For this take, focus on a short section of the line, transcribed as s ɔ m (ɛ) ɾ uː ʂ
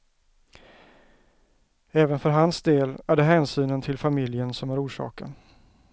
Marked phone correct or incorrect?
incorrect